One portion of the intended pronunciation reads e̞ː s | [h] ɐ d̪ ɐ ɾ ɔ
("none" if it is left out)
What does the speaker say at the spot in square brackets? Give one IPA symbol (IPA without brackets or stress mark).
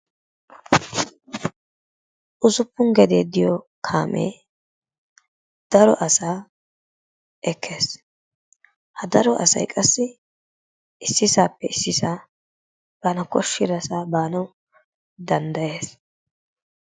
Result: h